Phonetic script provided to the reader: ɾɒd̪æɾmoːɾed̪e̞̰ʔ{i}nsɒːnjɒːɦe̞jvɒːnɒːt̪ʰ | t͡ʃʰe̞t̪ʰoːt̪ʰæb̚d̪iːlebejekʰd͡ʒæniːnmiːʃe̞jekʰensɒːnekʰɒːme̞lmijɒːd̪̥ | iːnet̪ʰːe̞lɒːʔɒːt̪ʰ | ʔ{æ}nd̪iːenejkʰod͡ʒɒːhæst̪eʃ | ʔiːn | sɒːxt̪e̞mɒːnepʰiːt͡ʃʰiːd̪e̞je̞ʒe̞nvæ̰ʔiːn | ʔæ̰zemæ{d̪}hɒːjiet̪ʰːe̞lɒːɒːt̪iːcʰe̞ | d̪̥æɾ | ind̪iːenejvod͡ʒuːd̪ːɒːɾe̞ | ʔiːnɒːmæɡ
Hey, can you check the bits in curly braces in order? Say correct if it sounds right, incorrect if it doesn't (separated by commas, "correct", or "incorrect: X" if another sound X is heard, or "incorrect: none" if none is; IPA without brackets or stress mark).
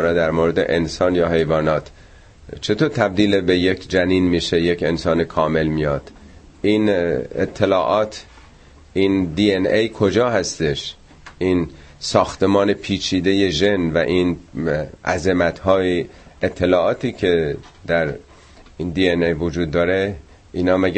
incorrect: e, incorrect: i, incorrect: t̪